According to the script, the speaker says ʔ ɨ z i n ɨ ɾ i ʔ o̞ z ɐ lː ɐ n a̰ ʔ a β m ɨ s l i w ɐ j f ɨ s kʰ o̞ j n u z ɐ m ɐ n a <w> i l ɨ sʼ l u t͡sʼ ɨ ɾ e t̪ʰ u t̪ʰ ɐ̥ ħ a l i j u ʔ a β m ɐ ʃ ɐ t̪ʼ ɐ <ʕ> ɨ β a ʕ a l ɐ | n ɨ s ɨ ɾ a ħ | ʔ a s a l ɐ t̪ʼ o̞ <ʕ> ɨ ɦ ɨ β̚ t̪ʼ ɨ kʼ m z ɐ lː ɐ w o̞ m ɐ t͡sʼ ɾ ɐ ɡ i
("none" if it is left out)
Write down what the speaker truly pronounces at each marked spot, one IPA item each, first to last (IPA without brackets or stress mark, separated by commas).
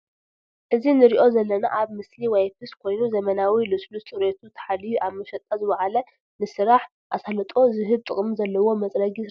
w, z, z